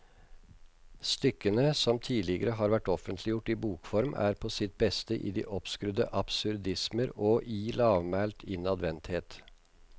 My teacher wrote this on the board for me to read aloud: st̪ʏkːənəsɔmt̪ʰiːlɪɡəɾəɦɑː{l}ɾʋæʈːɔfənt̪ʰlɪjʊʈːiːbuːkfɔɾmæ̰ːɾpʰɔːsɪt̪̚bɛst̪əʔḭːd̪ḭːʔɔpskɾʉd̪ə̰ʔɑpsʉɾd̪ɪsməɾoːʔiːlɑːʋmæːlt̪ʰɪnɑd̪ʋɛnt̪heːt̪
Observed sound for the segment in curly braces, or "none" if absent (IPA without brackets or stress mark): none